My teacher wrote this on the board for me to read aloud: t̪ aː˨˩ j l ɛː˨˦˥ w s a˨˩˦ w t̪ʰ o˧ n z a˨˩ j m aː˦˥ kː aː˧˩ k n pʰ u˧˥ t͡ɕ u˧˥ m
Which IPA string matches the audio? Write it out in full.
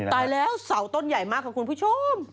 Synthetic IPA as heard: t̪ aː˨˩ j l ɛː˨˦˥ w s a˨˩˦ w t̪ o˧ n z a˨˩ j m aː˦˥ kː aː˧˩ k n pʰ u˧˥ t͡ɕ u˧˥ m